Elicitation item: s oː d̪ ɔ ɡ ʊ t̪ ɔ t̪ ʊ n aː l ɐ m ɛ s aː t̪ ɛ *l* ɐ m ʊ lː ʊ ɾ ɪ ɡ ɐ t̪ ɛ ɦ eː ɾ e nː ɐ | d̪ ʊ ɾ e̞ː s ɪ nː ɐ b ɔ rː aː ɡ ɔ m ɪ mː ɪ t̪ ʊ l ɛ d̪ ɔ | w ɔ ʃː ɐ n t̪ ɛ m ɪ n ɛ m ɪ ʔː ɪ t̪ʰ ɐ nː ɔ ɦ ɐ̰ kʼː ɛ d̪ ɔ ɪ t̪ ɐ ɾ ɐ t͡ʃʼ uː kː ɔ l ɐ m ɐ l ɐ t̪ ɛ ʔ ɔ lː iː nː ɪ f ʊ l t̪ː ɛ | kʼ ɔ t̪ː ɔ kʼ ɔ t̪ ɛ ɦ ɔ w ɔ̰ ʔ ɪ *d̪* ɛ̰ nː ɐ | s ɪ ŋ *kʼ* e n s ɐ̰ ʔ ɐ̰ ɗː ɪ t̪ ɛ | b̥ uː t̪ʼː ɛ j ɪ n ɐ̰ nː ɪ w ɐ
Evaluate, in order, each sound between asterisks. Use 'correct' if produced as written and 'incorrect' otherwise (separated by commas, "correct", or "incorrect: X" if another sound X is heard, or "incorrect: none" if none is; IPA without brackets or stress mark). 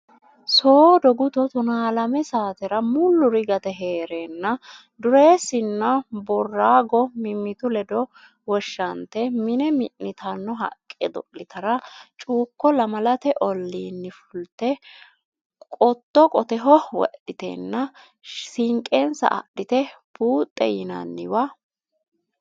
incorrect: ɾ, incorrect: t̪, correct